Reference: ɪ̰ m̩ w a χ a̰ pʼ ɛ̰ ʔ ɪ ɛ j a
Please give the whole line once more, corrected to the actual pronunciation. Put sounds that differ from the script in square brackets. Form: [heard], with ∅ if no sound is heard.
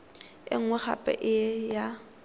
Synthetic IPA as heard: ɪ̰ [ŋ̩] w [ɛ] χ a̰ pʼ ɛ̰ ʔ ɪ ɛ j a